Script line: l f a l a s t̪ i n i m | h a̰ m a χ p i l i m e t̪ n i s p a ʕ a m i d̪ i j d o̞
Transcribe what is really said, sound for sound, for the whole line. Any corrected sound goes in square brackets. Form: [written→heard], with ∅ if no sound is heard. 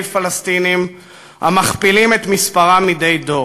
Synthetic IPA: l f a l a s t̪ i n i m | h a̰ m a χ p i l i m e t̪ [n→m] i s p a [ʕ→ʁ] a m i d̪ [i→e] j d o̞

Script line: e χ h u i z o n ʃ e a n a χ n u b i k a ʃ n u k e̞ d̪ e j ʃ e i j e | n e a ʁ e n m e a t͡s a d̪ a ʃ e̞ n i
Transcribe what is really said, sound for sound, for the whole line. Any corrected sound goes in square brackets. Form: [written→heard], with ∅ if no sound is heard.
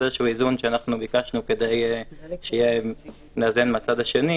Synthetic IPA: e [χ→ʃ] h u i z [o→u] n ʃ e a n a χ n u b i k a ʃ n u k e̞ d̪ e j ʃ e i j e | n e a [ʁ→z] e n m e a t͡s a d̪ a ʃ e̞ n i

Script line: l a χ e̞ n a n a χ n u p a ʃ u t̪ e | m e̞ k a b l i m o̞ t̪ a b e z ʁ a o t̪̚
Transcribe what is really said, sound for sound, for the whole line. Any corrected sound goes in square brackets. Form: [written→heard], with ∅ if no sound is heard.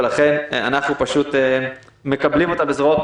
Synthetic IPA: l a χ e̞ n a n a χ n u p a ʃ u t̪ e | m e̞ k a b l i m o̞ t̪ a b e z ʁ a o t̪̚

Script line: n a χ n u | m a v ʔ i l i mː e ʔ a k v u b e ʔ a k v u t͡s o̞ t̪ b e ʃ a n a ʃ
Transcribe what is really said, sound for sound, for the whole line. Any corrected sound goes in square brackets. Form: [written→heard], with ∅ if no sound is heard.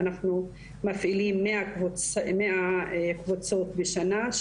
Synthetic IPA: n a χ n u | m a [v→f] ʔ i l i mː e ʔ a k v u [b→m] e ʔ a k v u t͡s o̞ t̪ b e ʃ a n a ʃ

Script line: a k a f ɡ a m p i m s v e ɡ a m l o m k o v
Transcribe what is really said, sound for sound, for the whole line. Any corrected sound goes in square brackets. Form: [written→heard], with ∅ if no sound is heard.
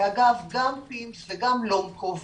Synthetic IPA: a [k→ɡ] a [f→v] ɡ a m p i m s v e ɡ a m l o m k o v

